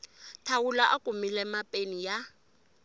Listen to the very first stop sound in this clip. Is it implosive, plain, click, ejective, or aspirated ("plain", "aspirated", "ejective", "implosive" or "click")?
aspirated